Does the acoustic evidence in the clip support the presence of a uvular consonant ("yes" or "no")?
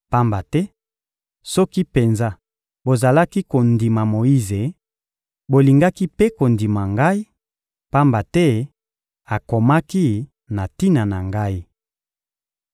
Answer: no